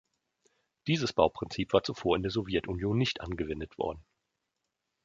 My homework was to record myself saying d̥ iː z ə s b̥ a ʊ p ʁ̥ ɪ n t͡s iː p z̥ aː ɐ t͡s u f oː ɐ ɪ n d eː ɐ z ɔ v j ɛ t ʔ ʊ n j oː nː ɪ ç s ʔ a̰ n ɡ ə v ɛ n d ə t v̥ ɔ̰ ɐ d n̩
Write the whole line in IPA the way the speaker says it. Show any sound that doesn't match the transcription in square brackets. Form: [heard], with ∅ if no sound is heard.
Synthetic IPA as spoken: d̥ iː z ə s b̥ a ʊ p ʁ̥ ɪ n t͡s iː p [v̥] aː ɐ t͡s u f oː ɐ ɪ n d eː ɐ z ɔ v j ɛ t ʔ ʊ n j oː nː ɪ ç [t] ʔ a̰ n ɡ ə v ɛ n d ə t v̥ ɔ̰ ɐ d n̩